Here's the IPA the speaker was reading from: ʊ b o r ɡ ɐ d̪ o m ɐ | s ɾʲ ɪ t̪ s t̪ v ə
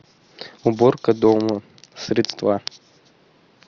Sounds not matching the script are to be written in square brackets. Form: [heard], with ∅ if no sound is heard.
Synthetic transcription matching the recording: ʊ b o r [k] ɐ d̪ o m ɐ | s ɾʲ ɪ t̪ s t̪ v [a]

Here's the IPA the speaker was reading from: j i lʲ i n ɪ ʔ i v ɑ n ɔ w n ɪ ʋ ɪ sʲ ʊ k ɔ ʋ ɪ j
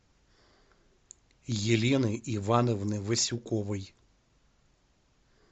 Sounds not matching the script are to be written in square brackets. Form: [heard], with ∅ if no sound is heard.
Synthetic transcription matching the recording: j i lʲ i n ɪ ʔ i [ʋ] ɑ n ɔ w n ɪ ʋ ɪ sʲ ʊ k ɔ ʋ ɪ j

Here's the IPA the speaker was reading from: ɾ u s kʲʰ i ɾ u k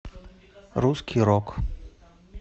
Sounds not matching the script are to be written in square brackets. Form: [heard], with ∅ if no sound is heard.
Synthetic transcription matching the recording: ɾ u s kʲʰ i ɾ [ɔ] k

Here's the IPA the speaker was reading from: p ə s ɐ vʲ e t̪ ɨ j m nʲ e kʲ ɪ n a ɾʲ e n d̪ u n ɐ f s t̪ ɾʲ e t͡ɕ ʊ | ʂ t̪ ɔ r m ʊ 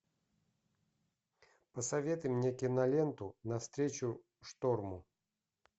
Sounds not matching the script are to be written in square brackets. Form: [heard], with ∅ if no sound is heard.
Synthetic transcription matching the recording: p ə s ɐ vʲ e t̪ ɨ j m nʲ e kʲ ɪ n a [lʲ] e n [t̪] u n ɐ f s t̪ ɾʲ e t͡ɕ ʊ | ʂ t̪ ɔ r m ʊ

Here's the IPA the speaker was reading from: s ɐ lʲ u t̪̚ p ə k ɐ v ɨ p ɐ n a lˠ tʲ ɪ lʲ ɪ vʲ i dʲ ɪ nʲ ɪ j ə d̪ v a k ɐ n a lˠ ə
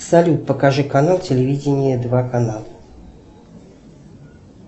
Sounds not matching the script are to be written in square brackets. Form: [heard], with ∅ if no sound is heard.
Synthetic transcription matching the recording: s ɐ lʲ u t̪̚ p ə k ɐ [ʐ] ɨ [k] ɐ n a lˠ tʲ ɪ lʲ ɪ vʲ i dʲ ɪ nʲ ɪ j ə d̪ v a k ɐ n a lˠ ə

